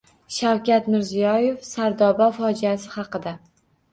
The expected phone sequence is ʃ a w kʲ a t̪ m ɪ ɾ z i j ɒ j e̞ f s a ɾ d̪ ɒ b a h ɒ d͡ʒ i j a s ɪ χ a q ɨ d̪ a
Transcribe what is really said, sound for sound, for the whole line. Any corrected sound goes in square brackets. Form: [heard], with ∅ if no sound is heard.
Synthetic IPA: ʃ a w kʲ a t̪ m ɪ ɾ z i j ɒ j e̞ f s a ɾ d̪ ɒ b a [f] ɒ d͡ʒ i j a s ɪ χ [ɑ] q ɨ d̪ a